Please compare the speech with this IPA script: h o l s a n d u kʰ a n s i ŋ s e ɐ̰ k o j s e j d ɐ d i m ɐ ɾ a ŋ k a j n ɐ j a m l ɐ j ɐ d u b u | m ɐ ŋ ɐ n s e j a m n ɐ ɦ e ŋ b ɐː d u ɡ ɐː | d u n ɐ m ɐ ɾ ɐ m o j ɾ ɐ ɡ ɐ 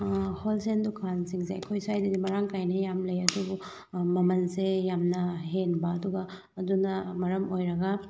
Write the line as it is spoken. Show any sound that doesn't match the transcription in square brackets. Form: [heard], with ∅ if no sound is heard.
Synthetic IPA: h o l s [e] n d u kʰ a n s i ŋ s e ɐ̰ [kʰ] o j s [a] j d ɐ d i m ɐ ɾ a ŋ k a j n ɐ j a m l ɐ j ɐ d u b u | m ɐ [m] ɐ n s e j a m n ɐ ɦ e [n] b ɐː d u ɡ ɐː | d u n ɐ m ɐ ɾ ɐ m o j ɾ ɐ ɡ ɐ